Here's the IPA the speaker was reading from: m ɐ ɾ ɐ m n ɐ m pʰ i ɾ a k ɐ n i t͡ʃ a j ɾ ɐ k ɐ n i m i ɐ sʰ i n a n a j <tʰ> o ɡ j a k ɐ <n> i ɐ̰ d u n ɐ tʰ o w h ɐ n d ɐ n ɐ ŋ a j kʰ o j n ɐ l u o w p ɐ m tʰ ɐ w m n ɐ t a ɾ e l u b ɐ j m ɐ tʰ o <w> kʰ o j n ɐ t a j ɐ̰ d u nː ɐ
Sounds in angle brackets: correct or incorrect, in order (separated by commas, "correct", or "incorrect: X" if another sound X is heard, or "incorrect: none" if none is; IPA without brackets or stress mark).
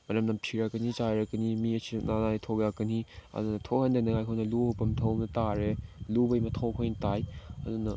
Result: correct, correct, correct